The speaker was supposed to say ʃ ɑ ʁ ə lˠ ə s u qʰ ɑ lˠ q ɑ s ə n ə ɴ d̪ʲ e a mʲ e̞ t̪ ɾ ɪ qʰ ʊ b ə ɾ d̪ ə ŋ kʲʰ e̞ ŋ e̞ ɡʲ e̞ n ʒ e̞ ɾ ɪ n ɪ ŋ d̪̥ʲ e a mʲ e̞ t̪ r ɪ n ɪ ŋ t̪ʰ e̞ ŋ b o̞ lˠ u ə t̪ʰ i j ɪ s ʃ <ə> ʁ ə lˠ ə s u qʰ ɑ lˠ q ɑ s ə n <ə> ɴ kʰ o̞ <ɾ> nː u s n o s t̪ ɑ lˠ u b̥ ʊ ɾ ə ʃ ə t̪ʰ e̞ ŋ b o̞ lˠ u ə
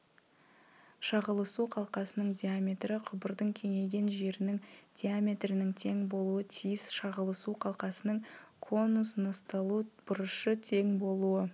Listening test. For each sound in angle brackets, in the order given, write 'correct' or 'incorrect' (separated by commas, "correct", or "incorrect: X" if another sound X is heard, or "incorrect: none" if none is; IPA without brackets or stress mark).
incorrect: ɑ, correct, incorrect: none